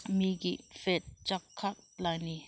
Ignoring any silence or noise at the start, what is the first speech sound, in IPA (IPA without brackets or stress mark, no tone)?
m